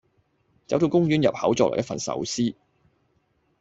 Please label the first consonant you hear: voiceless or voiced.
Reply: voiceless